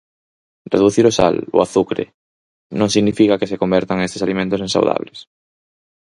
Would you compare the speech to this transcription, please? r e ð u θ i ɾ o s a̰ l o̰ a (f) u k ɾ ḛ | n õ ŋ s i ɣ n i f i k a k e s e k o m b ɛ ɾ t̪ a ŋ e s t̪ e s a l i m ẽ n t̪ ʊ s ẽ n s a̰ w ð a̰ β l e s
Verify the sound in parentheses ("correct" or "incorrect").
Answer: incorrect